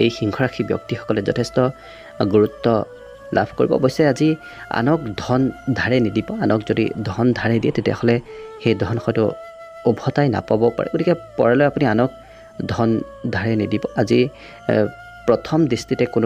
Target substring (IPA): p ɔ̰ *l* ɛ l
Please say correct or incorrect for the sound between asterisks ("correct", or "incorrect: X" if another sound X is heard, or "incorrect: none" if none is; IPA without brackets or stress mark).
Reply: incorrect: ɹ